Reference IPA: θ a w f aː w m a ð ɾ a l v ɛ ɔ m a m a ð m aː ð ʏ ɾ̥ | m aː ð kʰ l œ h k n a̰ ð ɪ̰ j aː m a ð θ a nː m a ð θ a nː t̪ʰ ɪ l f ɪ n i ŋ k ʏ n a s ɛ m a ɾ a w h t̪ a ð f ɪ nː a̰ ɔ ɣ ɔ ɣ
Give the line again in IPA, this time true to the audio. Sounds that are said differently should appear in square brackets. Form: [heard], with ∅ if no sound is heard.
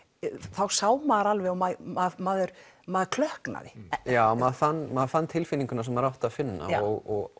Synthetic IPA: θ a w [s] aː w m a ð ɾ a l v ɛ ɔ m a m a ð m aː ð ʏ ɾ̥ | m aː ð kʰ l œ h k n a̰ ð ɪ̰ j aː m a ð θ a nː m a ð θ a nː t̪ʰ ɪ l f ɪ n i ŋ k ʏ n a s ɛ m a ɾ a w h t̪ a ð f ɪ nː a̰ ɔ ɣ ɔ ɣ